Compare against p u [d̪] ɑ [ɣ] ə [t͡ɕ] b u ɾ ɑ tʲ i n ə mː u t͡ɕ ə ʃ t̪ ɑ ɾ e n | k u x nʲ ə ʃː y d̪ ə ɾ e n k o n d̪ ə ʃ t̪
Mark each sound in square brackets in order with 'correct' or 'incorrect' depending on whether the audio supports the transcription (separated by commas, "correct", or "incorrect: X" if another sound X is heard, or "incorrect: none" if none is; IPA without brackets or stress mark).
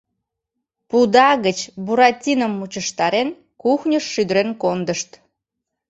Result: correct, correct, correct